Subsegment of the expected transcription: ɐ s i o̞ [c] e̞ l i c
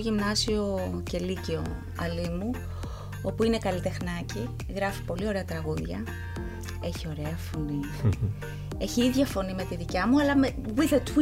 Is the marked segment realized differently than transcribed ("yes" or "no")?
no